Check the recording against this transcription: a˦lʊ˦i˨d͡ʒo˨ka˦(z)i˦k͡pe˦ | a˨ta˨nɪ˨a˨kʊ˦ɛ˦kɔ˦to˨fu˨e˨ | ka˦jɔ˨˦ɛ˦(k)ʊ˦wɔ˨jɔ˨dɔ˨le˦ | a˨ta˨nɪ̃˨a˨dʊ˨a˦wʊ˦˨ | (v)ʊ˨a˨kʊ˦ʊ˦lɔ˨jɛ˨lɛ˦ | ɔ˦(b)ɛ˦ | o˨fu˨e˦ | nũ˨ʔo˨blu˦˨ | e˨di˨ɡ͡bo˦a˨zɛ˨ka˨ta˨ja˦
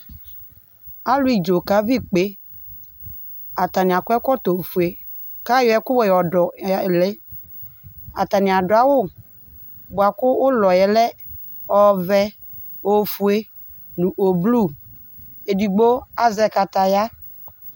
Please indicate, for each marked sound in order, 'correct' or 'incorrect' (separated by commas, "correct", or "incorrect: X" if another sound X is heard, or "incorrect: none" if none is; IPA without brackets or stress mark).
incorrect: v, correct, incorrect: b, incorrect: v